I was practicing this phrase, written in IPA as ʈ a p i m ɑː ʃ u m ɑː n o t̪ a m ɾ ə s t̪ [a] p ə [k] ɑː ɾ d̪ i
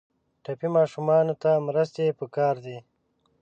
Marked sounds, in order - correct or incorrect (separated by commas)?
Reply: incorrect, correct